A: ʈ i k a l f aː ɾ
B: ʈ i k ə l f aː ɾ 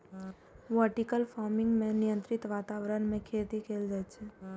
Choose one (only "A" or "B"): B